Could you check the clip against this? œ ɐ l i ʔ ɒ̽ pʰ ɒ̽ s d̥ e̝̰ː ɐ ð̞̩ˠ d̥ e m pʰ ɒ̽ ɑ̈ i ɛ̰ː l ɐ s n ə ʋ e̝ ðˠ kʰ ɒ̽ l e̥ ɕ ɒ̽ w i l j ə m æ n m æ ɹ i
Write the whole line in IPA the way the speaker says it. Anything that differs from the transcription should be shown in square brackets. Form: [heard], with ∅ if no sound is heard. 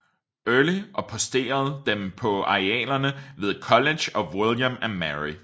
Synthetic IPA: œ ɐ l i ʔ ɒ̽ pʰ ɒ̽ s d̥ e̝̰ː ɐ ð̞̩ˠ d̥ e m pʰ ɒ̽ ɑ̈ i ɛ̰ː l ɐ [∅] n ə ʋ e̝ ðˠ kʰ ɒ̽ l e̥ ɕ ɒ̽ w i l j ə m æ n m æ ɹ i